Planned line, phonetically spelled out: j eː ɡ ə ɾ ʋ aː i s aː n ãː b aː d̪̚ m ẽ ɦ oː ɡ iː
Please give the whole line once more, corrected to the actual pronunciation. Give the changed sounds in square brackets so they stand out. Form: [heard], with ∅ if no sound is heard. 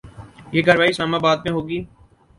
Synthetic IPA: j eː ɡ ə ɾ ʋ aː i s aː [m] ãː b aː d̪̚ m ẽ ɦ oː ɡ iː